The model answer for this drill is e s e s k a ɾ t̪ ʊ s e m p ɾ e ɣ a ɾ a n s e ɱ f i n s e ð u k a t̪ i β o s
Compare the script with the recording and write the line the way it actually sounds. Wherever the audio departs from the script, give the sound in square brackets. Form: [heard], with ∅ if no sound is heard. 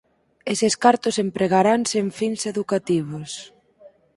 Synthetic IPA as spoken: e s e s k a ɾ t̪ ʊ s e m p ɾ e ɣ a ɾ a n s e ɱ f i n s e ð u k a t̪ i β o s